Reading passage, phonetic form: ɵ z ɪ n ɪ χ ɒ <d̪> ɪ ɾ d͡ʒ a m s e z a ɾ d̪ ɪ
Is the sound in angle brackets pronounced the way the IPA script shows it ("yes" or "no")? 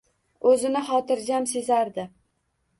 no